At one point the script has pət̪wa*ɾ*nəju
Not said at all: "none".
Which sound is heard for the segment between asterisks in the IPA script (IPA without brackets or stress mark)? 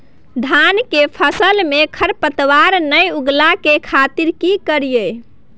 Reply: ɾ